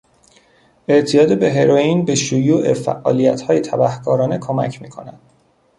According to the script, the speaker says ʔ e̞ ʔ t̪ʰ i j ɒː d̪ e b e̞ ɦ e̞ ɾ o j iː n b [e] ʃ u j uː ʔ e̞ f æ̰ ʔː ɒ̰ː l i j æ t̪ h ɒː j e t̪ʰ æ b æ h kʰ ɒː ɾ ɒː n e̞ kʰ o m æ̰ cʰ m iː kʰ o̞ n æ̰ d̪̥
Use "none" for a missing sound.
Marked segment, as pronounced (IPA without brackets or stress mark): e